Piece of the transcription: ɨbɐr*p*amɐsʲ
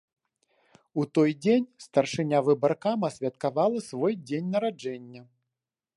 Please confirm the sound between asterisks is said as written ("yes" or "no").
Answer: no